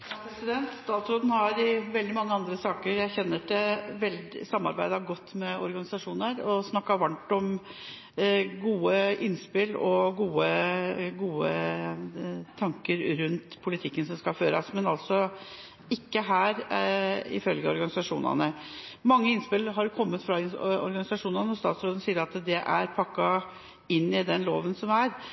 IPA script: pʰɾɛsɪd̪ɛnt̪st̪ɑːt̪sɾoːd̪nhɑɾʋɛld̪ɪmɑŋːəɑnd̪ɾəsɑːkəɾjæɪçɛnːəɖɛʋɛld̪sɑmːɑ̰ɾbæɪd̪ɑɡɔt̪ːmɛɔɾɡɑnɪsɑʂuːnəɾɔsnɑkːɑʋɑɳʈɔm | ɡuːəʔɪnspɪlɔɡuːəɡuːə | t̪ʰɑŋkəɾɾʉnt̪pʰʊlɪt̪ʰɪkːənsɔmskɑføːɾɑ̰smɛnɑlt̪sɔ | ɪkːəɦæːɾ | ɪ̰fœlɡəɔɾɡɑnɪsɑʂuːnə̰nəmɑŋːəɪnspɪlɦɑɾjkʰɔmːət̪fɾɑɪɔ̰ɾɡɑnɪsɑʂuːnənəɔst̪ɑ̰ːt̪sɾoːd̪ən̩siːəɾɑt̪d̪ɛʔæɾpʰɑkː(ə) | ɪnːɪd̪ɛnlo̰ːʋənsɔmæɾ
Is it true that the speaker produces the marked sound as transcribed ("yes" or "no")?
no